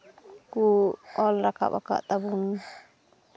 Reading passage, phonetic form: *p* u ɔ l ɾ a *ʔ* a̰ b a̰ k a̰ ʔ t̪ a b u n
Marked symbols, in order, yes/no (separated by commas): no, no